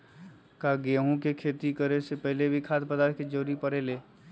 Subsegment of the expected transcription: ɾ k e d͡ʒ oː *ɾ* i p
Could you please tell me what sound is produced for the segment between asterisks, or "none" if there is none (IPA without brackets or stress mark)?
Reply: ɾ